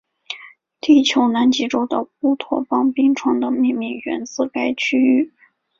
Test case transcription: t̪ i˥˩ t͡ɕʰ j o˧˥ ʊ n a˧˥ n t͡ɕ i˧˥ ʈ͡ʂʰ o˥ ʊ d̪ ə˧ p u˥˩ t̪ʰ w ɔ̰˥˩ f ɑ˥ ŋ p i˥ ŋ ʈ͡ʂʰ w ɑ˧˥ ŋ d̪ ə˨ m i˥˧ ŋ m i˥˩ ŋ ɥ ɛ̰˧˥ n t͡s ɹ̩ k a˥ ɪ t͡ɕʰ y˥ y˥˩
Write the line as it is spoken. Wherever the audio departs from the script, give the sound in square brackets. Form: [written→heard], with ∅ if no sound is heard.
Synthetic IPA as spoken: t̪ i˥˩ t͡ɕʰ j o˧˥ ʊ n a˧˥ n t͡ɕ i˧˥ [ʈ͡ʂʰ→ʈ͡ʂ] o˥ ʊ d̪ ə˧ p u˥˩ t̪ʰ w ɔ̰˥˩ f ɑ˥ ŋ p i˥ ŋ ʈ͡ʂʰ w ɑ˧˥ ŋ d̪ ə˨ m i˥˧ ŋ m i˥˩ ŋ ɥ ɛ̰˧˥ n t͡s ɹ̩ k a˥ ɪ t͡ɕʰ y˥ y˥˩